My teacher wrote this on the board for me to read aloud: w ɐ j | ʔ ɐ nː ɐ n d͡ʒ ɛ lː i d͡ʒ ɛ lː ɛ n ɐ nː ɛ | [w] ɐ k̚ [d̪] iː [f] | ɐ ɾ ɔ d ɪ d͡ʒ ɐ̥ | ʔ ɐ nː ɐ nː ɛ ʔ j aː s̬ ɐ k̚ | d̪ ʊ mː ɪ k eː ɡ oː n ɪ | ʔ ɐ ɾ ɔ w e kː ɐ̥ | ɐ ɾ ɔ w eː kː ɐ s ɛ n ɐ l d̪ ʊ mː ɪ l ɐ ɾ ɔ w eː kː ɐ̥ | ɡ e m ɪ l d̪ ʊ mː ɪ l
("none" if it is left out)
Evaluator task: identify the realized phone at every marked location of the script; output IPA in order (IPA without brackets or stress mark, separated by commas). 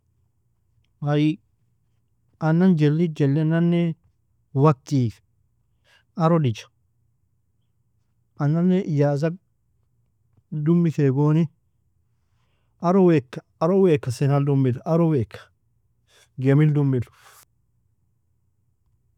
w, t̪, f